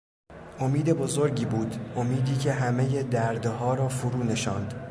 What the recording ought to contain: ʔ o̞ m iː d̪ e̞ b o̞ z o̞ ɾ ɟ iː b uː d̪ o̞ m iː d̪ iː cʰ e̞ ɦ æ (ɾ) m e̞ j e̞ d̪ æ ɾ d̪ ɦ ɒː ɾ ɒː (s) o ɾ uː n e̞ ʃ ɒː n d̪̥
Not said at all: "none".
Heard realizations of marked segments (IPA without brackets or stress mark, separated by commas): none, f